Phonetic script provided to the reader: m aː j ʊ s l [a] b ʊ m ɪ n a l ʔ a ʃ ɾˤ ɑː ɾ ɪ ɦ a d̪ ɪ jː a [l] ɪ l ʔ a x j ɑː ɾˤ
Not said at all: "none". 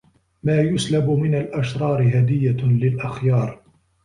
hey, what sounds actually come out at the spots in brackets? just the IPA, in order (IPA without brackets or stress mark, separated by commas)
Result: a, l